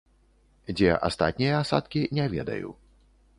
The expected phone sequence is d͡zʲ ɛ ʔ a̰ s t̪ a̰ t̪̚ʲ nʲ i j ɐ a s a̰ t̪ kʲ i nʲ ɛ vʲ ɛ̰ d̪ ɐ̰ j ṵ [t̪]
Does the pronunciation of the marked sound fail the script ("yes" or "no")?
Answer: yes